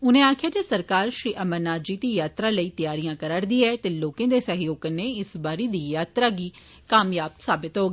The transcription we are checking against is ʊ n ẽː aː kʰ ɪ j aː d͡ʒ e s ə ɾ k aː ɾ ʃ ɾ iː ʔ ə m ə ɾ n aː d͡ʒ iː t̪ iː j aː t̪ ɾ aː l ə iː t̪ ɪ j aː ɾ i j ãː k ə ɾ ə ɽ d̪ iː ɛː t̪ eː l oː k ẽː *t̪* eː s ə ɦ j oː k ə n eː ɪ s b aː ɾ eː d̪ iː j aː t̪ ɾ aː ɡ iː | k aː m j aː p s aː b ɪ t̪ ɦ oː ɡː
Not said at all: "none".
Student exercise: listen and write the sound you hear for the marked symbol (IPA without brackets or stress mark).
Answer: d̪